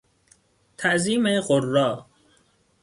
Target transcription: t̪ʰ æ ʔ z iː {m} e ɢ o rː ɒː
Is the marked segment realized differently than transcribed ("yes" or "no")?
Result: no